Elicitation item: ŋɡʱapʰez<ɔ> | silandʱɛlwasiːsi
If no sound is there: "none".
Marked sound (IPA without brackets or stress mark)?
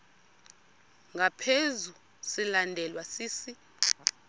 u